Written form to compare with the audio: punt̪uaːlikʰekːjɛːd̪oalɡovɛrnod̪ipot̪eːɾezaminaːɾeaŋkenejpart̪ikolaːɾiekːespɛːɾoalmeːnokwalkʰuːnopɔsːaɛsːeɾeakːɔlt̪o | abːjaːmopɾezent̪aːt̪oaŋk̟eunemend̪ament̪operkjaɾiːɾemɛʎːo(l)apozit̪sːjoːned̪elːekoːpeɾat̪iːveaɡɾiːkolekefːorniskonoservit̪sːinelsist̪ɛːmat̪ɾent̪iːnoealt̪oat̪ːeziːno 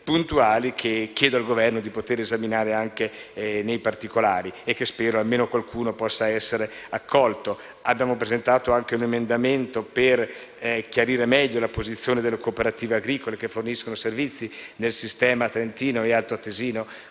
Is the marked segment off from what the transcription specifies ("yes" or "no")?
no